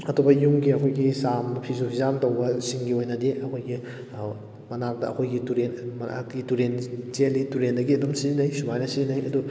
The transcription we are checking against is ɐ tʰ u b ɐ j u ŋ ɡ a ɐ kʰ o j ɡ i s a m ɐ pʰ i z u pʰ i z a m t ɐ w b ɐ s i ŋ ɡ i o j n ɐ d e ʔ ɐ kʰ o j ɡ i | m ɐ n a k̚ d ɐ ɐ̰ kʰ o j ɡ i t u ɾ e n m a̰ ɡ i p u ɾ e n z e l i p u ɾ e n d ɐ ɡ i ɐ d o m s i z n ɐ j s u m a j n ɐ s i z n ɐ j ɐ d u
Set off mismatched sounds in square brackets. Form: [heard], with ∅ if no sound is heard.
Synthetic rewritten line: ɐ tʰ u b ɐ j u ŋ ɡ [i] ɐ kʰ o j ɡ i s a m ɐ pʰ i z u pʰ i z a m t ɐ w b ɐ s i ŋ ɡ i o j n ɐ d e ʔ ɐ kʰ o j ɡ i | m ɐ n a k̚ d ɐ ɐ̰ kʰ o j ɡ i t u ɾ e n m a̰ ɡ i [t] u ɾ e n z e l i [t] u ɾ e n d ɐ ɡ i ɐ d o m s i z n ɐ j s u m a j n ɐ s i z n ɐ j ɐ d u